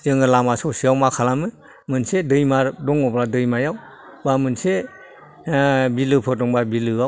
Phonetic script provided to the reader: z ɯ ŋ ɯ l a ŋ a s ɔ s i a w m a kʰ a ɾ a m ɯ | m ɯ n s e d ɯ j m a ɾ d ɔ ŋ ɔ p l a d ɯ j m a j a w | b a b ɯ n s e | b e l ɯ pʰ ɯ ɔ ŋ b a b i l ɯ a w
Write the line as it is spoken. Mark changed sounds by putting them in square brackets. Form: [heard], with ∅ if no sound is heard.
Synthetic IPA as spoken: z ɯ ŋ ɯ l a [m] a s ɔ s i a w m a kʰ a [l] a m ɯ | m ɯ n s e d ɯ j m a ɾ d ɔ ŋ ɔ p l a d ɯ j m a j a w | b a [m] ɯ n s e | b [i] l ɯ pʰ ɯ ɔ ŋ b a b i l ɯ a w